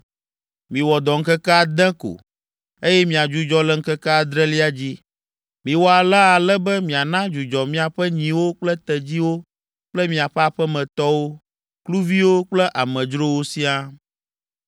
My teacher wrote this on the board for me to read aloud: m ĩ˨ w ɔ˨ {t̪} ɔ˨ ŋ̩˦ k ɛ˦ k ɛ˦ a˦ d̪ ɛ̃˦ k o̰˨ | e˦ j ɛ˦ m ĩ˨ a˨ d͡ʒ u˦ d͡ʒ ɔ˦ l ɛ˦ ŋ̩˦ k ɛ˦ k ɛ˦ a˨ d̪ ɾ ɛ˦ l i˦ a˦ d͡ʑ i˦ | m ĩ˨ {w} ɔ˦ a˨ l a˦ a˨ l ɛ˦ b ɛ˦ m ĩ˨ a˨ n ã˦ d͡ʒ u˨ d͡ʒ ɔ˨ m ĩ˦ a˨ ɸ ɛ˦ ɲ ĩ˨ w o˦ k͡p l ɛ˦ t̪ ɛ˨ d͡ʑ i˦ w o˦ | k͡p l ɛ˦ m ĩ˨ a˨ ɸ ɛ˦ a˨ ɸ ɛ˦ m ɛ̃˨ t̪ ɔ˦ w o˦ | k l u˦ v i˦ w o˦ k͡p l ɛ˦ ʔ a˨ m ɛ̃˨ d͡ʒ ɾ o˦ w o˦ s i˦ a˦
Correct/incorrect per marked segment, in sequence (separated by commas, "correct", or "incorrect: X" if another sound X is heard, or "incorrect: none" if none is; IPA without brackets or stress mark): incorrect: d̪, correct